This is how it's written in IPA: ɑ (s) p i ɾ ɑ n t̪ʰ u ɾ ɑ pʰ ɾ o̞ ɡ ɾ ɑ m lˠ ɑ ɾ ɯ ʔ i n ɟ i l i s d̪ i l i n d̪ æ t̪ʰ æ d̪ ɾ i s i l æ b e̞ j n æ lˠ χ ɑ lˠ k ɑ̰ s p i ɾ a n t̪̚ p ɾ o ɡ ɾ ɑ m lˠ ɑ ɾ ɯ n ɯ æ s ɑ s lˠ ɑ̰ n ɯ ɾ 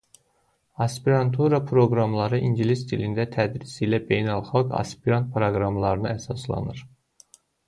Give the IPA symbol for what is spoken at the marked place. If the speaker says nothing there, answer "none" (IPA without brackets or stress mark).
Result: s